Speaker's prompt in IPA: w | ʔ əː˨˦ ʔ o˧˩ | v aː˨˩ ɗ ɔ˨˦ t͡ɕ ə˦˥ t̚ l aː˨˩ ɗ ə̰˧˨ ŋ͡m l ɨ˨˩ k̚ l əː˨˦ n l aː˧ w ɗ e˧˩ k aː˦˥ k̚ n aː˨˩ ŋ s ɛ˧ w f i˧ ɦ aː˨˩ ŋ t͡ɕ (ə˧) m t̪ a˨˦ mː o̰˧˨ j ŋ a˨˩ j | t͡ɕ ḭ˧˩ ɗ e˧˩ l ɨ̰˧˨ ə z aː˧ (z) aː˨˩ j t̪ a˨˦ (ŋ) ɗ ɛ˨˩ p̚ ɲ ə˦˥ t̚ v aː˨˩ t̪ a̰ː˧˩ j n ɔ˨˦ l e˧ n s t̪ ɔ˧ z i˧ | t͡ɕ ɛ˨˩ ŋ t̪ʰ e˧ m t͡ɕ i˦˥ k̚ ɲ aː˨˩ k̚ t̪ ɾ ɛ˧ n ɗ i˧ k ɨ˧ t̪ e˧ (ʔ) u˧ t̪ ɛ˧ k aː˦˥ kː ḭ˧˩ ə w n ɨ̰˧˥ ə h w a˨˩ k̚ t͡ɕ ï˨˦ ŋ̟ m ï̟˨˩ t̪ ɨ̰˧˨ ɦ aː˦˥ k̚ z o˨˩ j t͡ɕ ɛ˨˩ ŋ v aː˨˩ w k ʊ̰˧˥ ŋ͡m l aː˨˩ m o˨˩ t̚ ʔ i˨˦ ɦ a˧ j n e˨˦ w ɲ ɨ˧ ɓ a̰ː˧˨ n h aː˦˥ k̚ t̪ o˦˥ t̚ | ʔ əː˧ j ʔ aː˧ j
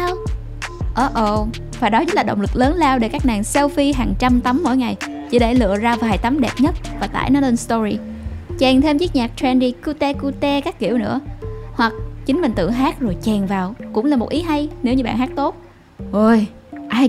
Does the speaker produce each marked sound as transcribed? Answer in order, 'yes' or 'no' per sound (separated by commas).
no, no, no, no